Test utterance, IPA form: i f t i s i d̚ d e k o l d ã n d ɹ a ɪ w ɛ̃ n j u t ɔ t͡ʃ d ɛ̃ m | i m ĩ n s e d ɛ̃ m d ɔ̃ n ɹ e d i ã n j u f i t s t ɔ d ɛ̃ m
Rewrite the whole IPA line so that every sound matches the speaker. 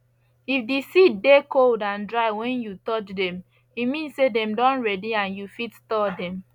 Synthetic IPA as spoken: i f d i s i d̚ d e k o l d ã n d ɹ a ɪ w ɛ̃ n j u t ɔ t͡ʃ d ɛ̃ m | i m ĩ n s e d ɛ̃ m d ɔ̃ n ɹ ɛ d i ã n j u f i t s t ɔ d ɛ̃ m